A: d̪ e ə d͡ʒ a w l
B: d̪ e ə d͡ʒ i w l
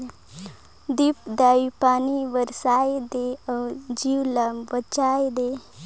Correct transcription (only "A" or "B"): B